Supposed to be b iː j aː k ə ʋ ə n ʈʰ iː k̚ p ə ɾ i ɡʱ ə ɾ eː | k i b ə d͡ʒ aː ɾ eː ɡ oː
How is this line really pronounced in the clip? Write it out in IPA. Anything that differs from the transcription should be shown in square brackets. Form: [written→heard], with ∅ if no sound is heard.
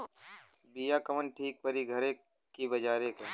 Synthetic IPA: b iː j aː k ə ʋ ə n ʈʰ iː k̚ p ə ɾ i ɡʱ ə ɾ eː | k i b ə d͡ʒ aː ɾ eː [ɡ→k] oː

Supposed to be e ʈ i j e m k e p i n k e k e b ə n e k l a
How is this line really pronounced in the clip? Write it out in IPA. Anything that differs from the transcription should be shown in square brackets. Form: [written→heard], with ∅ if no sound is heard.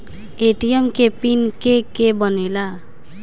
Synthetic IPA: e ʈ i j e m k e p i n k e k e b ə n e [k→∅] l a

